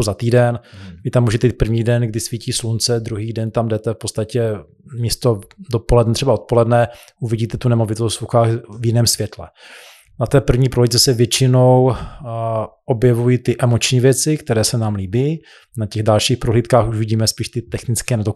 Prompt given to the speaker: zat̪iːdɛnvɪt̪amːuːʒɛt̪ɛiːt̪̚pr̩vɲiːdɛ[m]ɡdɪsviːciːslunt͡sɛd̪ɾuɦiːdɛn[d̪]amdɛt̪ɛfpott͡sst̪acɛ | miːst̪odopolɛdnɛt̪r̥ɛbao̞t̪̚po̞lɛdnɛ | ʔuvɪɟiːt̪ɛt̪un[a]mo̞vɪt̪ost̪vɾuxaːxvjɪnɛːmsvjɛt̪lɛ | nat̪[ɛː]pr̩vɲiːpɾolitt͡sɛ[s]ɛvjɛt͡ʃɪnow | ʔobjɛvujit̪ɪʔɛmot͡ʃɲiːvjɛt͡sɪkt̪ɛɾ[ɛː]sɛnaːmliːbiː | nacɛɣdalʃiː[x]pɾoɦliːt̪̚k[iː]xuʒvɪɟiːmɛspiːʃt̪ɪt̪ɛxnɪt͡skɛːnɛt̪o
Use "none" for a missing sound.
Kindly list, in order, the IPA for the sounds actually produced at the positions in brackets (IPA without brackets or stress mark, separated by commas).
n, t̪, ɛ, ɛː, s, ɛː, x, aː